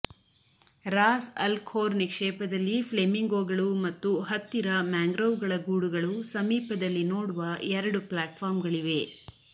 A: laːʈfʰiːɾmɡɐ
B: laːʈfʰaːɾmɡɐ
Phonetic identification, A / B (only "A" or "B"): B